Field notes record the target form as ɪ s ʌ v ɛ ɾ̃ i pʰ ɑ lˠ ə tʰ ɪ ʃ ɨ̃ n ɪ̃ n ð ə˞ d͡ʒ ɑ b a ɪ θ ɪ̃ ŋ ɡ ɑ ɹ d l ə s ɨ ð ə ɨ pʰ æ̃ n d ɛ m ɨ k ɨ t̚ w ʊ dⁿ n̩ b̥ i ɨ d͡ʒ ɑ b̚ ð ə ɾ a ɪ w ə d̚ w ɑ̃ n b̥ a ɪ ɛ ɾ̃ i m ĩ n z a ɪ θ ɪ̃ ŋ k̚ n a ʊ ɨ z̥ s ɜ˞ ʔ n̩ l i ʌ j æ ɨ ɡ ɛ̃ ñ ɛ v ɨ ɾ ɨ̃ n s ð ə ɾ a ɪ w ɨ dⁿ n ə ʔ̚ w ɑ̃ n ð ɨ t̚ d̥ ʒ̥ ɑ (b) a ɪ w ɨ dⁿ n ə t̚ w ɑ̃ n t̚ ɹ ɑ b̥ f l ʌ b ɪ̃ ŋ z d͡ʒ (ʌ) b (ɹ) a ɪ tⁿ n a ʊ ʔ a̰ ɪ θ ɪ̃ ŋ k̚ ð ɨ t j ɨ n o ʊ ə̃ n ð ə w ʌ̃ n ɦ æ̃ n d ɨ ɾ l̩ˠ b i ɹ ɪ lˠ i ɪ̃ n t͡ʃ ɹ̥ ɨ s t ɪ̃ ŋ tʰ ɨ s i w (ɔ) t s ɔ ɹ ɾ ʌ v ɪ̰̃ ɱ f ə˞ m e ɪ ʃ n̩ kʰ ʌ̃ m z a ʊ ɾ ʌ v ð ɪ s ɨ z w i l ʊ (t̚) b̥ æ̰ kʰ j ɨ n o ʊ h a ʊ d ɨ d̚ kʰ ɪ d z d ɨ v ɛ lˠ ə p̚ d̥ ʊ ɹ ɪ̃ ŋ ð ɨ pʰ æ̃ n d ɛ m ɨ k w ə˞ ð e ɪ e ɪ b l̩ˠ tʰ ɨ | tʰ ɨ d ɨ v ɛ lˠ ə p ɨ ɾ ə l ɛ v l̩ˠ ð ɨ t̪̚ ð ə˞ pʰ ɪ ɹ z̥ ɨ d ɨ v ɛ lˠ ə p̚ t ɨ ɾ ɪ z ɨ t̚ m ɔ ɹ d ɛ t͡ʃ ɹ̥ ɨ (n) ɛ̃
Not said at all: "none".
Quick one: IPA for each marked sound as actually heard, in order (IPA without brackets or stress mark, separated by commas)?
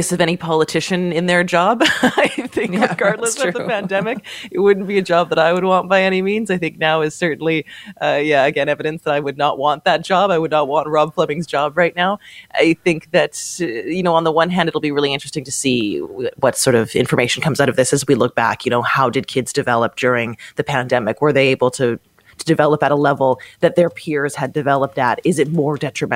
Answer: b, ɑ, ɹ, ʌ, k̚, m